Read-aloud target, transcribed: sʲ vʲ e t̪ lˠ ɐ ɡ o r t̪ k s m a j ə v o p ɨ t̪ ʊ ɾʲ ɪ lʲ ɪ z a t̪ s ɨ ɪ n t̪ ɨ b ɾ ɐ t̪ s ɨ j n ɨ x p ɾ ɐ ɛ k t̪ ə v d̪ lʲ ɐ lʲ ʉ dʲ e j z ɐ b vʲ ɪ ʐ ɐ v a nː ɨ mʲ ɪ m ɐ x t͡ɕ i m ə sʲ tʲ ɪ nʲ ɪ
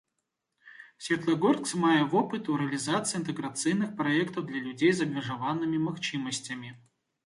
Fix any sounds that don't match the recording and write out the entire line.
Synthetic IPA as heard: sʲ vʲ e t̪ lˠ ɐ ɡ o r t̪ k s m a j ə v o p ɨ t̪ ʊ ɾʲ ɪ lʲ ɪ z a t̪ s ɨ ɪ n t̪ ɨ ɡ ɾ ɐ t̪ s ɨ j n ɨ x p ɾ ɐ ɛ k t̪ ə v d̪ lʲ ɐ lʲ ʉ dʲ e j z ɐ b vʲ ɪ ʐ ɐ v a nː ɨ mʲ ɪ m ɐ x t͡ɕ i m ə sʲ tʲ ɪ mʲ ɪ